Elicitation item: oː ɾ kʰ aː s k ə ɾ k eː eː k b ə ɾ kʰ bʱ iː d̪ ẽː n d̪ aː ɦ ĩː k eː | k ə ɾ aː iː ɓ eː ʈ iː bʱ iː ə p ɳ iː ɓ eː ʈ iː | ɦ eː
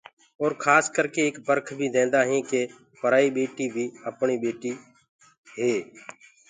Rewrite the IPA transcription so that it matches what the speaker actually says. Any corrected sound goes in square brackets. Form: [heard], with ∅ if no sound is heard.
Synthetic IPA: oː ɾ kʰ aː s k ə ɾ k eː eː k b ə ɾ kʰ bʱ iː d̪ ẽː n d̪ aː ɦ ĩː k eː | [p] ə ɾ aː iː ɓ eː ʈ iː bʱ iː ə p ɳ iː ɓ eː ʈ iː | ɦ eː